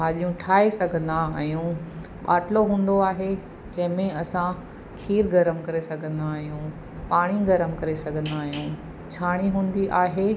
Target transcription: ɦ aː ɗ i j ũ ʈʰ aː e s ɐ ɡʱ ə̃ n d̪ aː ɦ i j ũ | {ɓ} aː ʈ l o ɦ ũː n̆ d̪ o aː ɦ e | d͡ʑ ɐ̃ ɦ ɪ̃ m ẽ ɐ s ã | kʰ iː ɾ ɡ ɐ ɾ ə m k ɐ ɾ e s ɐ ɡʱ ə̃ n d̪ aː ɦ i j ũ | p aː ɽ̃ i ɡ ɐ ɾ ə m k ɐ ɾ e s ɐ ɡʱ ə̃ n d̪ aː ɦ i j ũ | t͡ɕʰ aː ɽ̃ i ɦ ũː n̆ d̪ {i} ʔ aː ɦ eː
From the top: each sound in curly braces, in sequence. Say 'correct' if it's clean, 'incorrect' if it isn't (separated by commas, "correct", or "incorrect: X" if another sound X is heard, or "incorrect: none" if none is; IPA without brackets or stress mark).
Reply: correct, correct